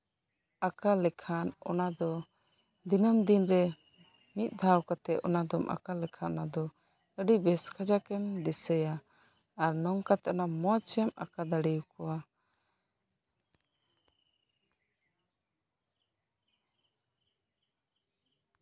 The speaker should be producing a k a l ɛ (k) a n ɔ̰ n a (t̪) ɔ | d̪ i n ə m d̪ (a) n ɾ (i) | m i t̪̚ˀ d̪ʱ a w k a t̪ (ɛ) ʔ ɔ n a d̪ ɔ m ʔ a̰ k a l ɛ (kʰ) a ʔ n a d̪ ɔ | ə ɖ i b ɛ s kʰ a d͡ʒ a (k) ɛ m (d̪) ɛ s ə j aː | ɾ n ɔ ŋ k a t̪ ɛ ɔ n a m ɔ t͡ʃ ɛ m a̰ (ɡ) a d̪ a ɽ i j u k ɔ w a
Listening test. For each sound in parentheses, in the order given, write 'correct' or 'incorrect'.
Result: incorrect: kʰ, incorrect: d̪, incorrect: i, incorrect: ɛ, correct, correct, correct, correct, incorrect: k

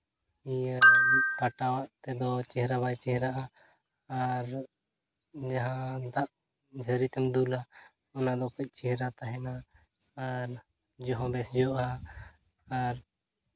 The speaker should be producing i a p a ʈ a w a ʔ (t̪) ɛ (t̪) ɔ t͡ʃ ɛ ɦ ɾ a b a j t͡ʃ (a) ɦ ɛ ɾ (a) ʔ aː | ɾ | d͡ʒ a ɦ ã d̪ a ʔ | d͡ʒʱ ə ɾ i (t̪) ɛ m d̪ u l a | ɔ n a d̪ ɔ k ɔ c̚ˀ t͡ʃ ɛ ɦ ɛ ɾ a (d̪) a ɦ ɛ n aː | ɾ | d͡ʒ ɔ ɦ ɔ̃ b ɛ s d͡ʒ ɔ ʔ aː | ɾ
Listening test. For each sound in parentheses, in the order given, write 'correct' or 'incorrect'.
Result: correct, incorrect: d̪, incorrect: ɛ, correct, correct, incorrect: t̪

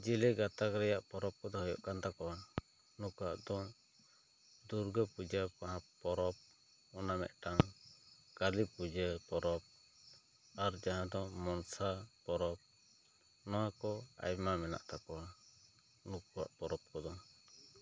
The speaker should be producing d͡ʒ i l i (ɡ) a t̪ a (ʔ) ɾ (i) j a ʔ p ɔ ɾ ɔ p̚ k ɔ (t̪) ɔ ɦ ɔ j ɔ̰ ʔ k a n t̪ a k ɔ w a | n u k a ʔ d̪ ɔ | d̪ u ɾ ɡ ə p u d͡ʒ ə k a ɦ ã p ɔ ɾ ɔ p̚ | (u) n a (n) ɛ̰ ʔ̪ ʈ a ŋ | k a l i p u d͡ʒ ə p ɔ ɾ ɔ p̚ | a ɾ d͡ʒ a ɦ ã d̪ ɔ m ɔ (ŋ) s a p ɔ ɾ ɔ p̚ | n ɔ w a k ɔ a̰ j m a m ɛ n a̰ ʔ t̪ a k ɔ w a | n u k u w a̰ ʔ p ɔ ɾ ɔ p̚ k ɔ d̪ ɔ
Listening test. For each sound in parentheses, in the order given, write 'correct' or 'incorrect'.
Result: correct, incorrect: k, incorrect: ɛ, incorrect: d̪, incorrect: ɔ, incorrect: m, incorrect: n

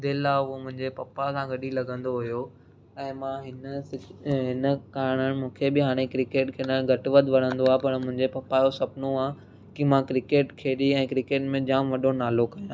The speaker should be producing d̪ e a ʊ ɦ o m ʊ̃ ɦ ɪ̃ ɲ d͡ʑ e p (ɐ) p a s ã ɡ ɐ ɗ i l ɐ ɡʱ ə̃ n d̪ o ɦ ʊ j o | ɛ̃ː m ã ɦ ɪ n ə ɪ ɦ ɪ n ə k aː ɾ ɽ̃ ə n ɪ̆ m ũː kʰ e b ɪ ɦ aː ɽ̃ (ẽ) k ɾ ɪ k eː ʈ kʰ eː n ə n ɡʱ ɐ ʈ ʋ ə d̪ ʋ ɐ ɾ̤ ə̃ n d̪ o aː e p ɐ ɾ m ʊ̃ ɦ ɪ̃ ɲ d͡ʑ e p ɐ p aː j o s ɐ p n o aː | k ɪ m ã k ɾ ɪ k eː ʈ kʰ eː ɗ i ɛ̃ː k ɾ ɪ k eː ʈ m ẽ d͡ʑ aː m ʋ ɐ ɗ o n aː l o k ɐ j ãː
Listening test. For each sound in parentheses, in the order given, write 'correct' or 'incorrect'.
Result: correct, incorrect: e

